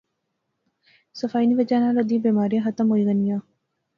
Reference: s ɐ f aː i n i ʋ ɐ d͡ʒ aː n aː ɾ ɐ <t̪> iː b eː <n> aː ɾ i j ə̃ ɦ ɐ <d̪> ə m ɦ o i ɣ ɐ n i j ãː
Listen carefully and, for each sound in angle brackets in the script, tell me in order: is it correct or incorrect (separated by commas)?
incorrect, incorrect, incorrect